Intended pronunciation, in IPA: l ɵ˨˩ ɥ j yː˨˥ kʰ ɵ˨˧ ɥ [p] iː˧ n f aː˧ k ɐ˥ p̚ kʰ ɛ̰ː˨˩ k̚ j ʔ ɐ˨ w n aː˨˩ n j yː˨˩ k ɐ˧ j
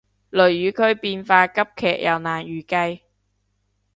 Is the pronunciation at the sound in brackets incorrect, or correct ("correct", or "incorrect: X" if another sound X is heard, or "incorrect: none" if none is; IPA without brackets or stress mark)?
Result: correct